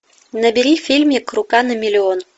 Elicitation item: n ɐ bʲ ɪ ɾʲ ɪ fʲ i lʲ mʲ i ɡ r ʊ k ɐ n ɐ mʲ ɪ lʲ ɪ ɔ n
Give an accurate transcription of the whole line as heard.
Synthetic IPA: n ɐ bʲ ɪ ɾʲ i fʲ i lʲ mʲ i k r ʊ k a n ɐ mʲ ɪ lʲ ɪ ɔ n